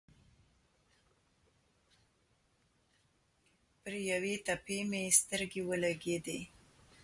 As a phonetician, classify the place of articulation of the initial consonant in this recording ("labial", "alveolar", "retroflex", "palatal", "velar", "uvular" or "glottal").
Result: labial